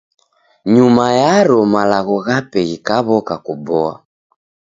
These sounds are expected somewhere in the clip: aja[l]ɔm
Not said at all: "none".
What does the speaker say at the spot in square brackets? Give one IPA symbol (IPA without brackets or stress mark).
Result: ɾ